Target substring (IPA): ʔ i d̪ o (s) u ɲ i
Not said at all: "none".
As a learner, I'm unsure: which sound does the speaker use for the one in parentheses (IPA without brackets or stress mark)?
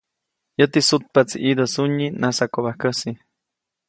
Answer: s